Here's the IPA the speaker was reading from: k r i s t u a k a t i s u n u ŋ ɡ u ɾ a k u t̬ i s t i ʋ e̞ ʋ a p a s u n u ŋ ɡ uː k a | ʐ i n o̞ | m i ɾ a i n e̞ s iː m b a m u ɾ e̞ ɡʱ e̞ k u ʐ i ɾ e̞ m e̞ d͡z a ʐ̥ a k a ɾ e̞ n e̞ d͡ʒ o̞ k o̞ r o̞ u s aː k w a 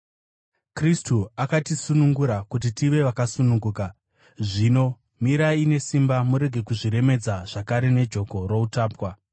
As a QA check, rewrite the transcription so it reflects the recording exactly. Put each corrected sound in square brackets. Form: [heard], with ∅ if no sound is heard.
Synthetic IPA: k r i s t u a k a t i s u n u ŋ ɡ u ɾ a k u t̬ i [∅] t i ʋ e̞ ʋ a [k] a s u n u ŋ ɡ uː k a | ʐ i n o̞ | m i ɾ a i n e̞ s [i] m b a m u ɾ e̞ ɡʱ e̞ k u ʐ i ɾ e̞ m e̞ d͡z a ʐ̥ a k a ɾ e̞ n e̞ d͡ʒ o̞ k o̞ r o̞ u [t] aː [p] w a